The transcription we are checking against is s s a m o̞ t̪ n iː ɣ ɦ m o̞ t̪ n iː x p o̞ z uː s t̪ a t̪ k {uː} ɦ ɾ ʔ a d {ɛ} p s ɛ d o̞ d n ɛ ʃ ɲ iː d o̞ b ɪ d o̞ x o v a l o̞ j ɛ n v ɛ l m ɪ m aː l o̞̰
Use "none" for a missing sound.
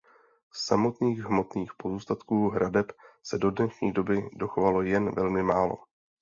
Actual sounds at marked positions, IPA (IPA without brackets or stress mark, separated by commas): uː, ɛ